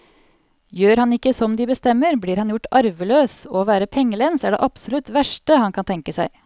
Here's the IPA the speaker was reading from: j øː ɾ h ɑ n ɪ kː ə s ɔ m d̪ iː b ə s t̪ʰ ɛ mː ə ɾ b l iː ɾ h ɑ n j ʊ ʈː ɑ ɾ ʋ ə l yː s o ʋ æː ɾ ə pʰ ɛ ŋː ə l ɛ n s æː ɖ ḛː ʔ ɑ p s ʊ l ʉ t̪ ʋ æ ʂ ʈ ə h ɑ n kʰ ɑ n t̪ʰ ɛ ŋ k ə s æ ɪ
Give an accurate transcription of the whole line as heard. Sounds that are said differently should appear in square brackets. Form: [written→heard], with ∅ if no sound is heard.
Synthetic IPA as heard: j øː ɾ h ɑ n ɪ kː ə s ɔ m d̪ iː b ə s [t̪ʰ→t̪] ɛ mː ə ɾ b l iː ɾ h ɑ n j ʊ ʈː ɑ ɾ ʋ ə l [yː→øː] s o ʋ æː ɾ ə pʰ ɛ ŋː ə l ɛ n s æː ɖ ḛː ʔ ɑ p s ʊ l ʉ t̪ ʋ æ ʂ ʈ ə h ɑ n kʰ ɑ n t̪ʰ ɛ ŋ k ə s æ ɪ